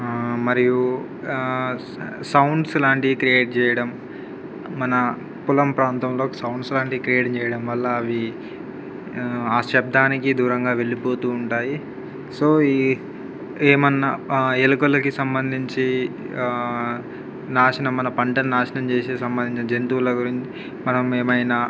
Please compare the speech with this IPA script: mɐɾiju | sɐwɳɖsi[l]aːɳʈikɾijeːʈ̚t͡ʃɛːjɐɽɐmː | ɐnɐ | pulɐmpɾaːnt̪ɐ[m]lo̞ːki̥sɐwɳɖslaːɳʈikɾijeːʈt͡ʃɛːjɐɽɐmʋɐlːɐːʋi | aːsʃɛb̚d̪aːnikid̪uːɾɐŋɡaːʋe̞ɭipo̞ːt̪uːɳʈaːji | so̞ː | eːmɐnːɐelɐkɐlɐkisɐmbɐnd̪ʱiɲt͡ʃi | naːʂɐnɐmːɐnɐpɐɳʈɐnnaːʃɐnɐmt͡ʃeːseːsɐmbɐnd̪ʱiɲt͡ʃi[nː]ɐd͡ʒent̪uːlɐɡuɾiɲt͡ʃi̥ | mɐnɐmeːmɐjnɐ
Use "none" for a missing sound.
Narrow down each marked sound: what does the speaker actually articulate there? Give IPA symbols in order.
l, m, n

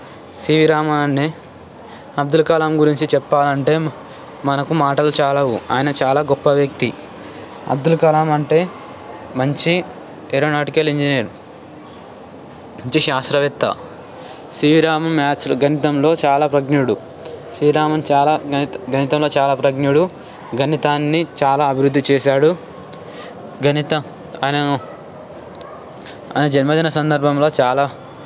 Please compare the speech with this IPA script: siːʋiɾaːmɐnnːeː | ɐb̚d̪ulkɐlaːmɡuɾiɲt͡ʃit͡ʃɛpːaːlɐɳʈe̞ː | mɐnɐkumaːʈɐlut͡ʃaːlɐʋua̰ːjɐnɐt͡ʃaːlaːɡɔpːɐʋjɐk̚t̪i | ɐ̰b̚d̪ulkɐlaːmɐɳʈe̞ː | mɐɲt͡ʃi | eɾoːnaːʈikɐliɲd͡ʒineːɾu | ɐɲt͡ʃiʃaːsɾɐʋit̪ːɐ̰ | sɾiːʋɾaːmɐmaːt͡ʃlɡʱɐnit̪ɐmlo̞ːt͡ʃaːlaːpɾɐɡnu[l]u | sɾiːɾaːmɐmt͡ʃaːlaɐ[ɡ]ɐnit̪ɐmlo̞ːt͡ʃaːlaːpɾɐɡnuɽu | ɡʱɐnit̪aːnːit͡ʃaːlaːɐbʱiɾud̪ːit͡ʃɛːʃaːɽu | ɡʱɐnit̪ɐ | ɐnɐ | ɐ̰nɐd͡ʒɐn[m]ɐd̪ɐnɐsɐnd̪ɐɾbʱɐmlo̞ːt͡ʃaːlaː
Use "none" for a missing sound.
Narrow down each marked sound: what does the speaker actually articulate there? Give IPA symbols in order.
ɽ, ɡ, m

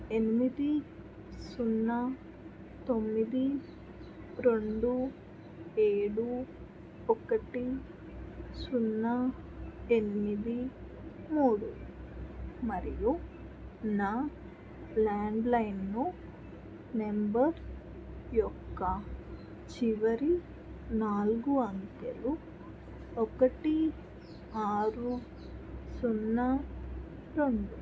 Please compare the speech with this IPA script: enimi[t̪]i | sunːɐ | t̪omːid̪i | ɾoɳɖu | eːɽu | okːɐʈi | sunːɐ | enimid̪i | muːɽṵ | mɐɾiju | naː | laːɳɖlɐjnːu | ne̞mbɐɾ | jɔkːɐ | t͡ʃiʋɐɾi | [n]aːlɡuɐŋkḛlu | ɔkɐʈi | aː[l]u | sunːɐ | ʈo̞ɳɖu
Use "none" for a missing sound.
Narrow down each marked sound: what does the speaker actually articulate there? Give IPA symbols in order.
d̪, n, ɾ

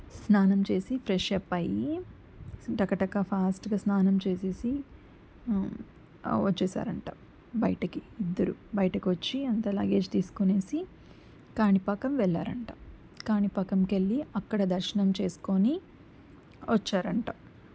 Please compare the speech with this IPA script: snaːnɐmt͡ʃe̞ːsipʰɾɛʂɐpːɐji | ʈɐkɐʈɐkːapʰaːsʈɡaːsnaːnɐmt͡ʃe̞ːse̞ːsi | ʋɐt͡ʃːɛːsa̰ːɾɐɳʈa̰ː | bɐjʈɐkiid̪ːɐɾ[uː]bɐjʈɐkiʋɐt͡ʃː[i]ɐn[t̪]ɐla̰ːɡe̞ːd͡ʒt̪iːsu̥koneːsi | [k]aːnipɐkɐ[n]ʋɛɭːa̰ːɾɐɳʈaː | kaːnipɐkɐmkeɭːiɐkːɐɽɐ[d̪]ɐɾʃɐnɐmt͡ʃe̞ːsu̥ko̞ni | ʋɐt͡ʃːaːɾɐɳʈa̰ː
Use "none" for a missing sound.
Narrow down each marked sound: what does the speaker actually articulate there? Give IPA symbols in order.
u, i, t̪, k, m, d̪

